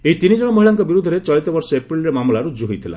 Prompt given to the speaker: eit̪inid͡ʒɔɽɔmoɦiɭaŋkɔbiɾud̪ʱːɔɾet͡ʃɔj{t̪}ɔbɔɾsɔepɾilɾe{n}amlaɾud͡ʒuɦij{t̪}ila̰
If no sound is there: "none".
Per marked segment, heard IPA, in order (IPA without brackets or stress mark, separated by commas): t̪, m, t̪ʰ